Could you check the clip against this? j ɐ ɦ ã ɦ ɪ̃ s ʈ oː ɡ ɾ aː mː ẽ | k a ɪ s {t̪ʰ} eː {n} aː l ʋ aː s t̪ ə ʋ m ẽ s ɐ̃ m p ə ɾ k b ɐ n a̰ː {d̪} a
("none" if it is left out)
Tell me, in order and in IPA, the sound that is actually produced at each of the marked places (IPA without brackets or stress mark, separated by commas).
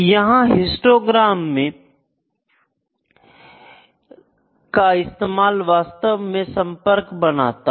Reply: t̪, m, t̪